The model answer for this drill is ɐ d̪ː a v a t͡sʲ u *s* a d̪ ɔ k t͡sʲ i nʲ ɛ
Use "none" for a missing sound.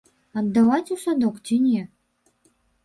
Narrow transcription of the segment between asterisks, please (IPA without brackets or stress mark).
s